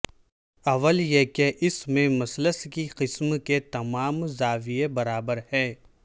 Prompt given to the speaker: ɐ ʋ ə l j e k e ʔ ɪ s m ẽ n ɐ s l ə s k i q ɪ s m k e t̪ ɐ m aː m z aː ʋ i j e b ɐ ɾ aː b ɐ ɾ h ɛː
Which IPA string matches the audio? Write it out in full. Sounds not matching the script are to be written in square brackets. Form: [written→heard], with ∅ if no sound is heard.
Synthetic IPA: ɐ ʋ ə l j e k e ʔ ɪ s m ẽ [n→m] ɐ s l ə s k i q ɪ s m k e t̪ ɐ m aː m z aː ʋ i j e b ɐ ɾ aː b [ɐ→ə] ɾ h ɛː